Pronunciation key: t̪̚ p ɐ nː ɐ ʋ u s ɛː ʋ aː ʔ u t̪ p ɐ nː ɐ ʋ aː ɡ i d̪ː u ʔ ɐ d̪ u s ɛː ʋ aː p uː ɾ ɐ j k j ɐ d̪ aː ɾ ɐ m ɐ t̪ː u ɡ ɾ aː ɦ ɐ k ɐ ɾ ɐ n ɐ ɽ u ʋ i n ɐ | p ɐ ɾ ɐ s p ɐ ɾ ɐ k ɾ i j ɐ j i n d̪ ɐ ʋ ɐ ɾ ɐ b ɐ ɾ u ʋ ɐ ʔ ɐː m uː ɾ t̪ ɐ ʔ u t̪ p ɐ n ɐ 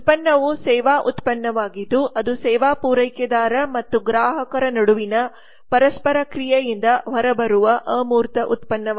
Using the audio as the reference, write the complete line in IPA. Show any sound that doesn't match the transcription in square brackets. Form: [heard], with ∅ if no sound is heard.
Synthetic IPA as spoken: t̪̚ p ɐ nː ɐ ʋ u s ɛː ʋ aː ʔ u t̪ p ɐ nː ɐ ʋ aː ɡ i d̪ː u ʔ ɐ d̪ u s ɛː ʋ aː p uː ɾ ɐ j k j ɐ d̪ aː ɾ ɐ m ɐ t̪ː u ɡ ɾ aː ɦ ɐ k ɐ ɾ ɐ n ɐ ɽ u ʋ i n ɐ | p ɐ ɾ ɐ s p ɐ ɾ ɐ k ɾ i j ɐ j i n d̪ ɐ ʋ ɐ ɾ ɐ b ɐ ɾ u ʋ ɐ ʔ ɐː m uː ɾ t̪ ɐ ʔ u t̪ p ɐ [nː] ɐ